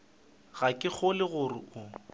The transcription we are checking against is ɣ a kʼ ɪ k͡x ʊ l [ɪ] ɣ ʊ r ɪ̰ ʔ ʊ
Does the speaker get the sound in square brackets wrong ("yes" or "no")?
no